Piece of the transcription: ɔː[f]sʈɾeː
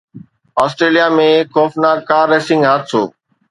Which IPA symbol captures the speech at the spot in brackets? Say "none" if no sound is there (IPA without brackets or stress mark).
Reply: none